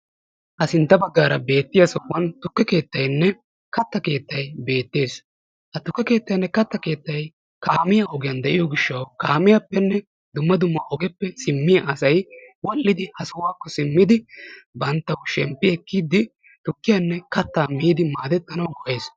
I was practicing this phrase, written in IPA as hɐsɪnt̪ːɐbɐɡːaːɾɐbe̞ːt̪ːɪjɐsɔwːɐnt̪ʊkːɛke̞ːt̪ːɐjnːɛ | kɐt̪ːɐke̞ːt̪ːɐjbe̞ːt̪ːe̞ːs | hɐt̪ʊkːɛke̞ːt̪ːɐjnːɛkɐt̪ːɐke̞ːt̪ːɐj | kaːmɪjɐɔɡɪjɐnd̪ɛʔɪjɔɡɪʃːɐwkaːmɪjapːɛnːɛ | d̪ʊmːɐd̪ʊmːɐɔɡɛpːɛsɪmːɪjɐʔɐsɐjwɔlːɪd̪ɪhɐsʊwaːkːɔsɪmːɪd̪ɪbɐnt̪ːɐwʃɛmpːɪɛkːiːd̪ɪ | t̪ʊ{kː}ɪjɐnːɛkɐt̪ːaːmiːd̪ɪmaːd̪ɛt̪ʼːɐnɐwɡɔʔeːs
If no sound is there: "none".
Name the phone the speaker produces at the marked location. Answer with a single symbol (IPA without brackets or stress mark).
kː